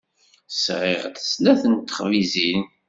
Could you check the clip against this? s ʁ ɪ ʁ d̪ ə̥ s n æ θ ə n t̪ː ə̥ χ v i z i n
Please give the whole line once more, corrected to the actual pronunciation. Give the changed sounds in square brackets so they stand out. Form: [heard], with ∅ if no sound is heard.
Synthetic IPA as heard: s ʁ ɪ ʁ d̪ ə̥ s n æ θ ə n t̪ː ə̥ χ v i z i n